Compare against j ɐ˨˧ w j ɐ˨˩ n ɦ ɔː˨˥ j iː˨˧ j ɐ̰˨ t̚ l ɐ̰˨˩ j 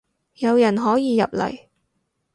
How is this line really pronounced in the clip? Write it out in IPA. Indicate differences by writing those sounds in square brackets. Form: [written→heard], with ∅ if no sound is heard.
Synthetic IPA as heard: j ɐ˨˧ w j ɐ˨˩ n ɦ ɔː˨˥ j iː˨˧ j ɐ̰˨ [t̚→p̚] l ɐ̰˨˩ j